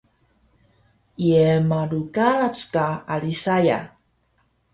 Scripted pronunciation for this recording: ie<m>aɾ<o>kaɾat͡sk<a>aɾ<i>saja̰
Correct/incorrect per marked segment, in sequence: correct, incorrect: u, correct, correct

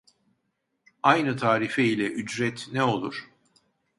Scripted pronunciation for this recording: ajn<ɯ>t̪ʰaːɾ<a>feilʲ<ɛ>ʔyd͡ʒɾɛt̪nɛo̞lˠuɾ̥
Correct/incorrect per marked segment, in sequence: correct, incorrect: i, correct

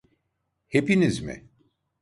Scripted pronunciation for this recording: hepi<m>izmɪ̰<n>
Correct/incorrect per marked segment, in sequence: incorrect: n, incorrect: none

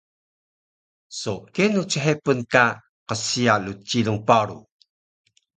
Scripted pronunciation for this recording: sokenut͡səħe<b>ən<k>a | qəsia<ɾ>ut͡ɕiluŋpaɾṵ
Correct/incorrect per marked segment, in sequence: incorrect: p, correct, incorrect: l

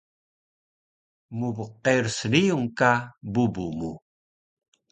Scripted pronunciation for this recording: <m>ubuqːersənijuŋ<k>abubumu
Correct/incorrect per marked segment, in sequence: correct, correct

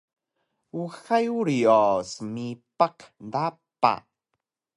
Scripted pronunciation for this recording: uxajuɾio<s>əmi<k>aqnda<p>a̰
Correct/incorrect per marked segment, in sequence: correct, incorrect: p, correct

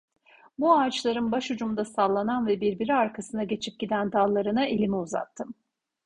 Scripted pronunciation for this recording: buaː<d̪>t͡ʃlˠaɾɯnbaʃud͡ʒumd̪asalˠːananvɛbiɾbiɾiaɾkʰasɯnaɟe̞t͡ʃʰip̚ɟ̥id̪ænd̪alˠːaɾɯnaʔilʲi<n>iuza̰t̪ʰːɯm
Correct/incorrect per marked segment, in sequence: incorrect: none, incorrect: m

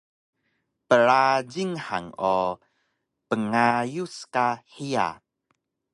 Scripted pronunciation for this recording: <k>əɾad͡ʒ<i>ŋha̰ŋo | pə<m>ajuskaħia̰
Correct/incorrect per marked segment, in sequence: incorrect: p, correct, incorrect: ŋ

